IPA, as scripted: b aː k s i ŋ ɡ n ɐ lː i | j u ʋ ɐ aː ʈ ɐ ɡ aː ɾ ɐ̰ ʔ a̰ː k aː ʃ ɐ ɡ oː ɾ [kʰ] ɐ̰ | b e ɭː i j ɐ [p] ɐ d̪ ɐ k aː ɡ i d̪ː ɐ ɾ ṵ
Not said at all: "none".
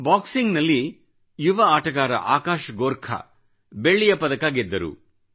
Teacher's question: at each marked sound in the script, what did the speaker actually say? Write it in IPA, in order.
kʰ, p

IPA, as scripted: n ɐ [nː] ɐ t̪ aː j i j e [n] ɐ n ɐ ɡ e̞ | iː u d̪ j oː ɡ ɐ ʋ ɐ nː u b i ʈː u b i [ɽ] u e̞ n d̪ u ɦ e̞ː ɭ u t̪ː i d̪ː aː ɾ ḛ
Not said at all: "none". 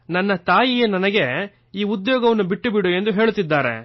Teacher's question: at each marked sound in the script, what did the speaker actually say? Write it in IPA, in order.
nː, n, ɽ

